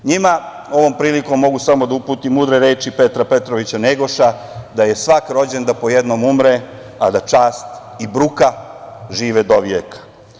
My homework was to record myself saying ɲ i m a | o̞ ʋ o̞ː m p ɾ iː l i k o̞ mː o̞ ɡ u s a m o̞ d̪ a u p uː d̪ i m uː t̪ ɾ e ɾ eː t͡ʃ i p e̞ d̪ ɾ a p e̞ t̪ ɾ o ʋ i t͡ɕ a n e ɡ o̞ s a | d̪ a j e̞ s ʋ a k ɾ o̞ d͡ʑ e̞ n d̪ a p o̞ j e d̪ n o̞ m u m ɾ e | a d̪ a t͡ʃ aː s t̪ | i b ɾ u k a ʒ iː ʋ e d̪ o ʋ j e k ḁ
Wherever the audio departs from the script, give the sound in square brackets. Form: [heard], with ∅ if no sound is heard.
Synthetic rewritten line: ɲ i m a | o̞ ʋ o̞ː m p ɾ iː l i k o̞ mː o̞ ɡ u s a m o̞ d̪ a u p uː [t̪] i m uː [d̪] ɾ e ɾ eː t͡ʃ i p e̞ [t̪] ɾ a p e̞ t̪ ɾ o ʋ i t͡ɕ a n e ɡ o̞ [ʃ] a | d̪ a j e̞ s ʋ a k ɾ o̞ d͡ʑ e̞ n d̪ a p o̞ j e d̪ n o̞ m u m ɾ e | a d̪ a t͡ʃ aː s t̪ | i b ɾ u k a ʒ iː ʋ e d̪ o ʋ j e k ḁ